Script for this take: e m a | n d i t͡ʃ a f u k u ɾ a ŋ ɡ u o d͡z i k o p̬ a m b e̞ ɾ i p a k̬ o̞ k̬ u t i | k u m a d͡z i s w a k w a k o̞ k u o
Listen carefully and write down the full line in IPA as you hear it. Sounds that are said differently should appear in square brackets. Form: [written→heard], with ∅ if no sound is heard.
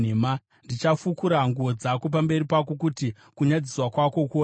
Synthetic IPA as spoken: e m a | n d i t͡ʃ a f u k u ɾ a ŋ ɡ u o d͡z [i→a] k o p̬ a m b e̞ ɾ i p a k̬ o̞ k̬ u t i | k u [m→ɲ] a d͡z i s w a k w a k o̞ k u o